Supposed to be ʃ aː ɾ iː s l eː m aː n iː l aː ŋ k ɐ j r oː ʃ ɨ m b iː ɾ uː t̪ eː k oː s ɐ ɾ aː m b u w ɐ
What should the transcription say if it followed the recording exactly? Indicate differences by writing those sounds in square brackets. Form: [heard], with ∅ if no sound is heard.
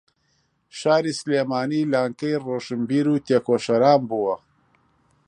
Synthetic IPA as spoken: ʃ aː ɾ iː s l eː m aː n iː l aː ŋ k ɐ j r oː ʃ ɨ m b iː ɾ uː t̪ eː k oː [ʃ] ɐ ɾ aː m b u w ɐ